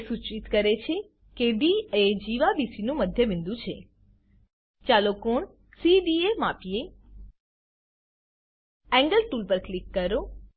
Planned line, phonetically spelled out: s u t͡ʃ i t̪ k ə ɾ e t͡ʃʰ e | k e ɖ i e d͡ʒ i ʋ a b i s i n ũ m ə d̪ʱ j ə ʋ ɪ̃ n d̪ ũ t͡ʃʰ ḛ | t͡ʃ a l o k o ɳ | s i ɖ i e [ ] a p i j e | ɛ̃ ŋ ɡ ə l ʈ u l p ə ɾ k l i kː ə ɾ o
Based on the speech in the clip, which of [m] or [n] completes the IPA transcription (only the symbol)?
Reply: m